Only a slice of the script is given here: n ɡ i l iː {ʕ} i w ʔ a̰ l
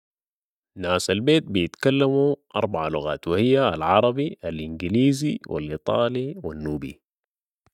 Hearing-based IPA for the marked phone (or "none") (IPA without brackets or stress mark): z